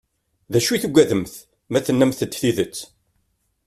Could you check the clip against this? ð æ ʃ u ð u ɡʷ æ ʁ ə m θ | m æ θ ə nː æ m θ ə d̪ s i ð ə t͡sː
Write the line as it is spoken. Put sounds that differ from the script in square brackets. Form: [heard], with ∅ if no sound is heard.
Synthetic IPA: ð æ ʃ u [θ] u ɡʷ æ [ð] ə m θ | m æ θ ə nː æ m θ ə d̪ [θ] i ð ə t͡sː

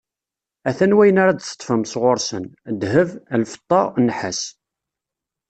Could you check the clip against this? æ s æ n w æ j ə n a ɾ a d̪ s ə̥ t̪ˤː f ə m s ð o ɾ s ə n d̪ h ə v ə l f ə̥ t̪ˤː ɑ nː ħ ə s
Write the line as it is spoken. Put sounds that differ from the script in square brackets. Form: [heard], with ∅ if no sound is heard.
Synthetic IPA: æ [θ] æ n w æ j ə n a ɾ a d̪ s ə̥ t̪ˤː f ə m s [ʁ] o ɾ s ə n d̪ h ə v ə l f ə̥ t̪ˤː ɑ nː ħ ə s

